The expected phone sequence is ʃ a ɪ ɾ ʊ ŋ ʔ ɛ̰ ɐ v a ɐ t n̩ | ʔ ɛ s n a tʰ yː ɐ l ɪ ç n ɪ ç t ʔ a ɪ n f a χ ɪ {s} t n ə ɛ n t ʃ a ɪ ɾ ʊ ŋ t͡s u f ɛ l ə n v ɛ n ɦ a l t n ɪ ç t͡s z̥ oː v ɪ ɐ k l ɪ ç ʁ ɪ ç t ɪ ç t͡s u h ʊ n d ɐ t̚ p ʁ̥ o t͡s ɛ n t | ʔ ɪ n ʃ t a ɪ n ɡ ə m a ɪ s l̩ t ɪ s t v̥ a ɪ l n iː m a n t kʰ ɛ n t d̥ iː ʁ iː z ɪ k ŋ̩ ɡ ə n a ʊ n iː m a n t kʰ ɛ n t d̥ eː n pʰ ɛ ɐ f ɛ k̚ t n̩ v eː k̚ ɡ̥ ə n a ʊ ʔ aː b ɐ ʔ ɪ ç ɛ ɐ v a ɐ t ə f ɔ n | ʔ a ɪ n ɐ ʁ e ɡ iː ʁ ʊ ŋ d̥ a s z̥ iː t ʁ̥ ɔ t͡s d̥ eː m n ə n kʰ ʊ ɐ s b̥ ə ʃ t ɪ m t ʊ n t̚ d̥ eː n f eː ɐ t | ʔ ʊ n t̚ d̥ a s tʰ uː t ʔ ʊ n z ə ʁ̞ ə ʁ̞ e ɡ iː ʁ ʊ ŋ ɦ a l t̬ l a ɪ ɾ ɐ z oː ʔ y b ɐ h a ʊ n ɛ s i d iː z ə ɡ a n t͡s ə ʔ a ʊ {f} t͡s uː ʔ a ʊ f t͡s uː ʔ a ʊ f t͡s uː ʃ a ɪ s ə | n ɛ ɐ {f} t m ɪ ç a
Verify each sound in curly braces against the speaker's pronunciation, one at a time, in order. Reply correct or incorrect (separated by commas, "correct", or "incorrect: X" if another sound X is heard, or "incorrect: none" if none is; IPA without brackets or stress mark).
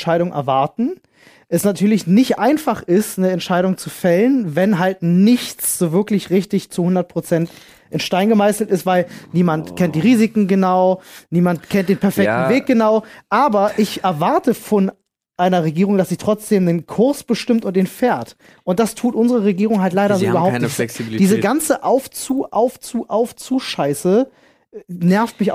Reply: correct, correct, correct